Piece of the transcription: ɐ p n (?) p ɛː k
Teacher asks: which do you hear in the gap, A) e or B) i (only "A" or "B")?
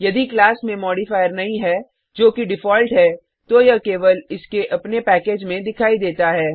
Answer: A